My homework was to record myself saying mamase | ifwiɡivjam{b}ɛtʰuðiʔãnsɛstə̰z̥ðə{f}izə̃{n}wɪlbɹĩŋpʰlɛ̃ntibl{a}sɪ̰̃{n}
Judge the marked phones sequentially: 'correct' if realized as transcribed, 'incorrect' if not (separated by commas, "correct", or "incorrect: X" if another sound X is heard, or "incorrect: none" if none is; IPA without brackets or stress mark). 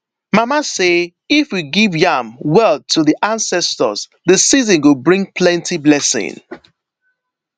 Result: incorrect: w, incorrect: s, correct, incorrect: ɛ, incorrect: ŋ